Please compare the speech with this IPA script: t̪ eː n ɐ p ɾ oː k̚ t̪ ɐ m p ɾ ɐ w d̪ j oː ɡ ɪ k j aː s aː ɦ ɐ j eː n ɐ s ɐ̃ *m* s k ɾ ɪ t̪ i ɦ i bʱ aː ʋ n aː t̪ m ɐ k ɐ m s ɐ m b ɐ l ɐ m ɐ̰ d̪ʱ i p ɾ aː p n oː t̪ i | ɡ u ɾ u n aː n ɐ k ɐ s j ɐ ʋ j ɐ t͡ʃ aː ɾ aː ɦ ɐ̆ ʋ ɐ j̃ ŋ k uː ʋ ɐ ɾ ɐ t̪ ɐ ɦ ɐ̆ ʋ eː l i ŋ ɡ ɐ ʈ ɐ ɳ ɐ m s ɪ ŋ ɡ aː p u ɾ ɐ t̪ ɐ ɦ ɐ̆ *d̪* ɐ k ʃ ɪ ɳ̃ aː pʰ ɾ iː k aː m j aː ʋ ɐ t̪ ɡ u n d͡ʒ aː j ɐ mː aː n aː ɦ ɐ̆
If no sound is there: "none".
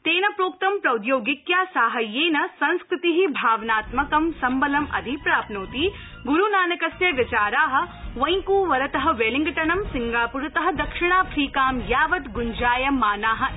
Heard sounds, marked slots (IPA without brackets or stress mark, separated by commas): n, d̪